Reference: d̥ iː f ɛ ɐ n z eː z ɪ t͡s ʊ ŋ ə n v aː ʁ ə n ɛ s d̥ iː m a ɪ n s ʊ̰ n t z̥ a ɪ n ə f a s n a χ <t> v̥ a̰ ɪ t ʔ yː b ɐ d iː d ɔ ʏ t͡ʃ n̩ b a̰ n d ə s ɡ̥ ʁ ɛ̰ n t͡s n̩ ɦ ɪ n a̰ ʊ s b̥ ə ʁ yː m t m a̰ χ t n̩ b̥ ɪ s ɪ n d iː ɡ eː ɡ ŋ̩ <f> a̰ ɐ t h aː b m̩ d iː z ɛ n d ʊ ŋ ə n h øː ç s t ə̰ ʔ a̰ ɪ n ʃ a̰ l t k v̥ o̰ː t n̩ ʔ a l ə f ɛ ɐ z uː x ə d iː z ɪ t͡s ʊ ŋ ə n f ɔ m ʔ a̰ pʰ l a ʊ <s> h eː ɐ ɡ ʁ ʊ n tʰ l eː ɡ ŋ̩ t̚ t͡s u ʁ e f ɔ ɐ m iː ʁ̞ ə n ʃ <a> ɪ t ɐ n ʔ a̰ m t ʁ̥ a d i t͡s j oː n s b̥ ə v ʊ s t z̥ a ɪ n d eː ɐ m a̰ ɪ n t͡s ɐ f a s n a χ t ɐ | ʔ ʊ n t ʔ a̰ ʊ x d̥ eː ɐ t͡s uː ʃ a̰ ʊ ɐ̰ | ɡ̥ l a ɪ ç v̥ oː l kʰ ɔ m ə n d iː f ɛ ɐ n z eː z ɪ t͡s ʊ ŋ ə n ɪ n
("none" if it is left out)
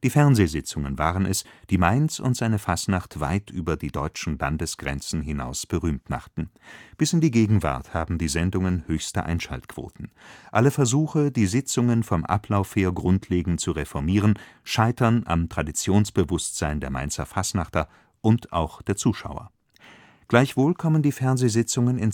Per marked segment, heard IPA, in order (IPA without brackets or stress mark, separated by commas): t, v, f, a